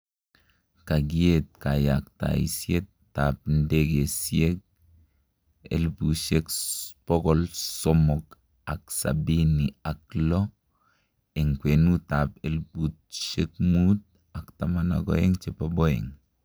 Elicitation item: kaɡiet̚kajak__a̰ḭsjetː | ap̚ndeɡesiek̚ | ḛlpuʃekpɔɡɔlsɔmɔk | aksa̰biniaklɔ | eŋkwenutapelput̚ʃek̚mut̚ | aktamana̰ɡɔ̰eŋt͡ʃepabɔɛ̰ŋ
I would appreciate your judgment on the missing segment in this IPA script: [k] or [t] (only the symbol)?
t